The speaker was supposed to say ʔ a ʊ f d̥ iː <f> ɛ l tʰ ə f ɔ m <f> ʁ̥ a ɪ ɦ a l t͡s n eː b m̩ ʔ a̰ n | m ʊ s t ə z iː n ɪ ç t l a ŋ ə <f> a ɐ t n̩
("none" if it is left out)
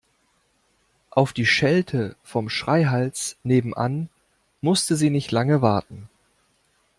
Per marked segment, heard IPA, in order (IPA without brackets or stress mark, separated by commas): ʃ, ʃ, v